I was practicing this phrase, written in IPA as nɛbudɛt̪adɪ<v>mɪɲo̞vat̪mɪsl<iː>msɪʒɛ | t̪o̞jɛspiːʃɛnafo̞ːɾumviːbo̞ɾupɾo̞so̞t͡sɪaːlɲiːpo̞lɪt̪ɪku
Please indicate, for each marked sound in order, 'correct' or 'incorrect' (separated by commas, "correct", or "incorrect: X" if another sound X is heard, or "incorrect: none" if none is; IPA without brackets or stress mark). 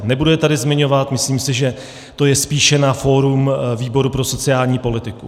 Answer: incorrect: z, correct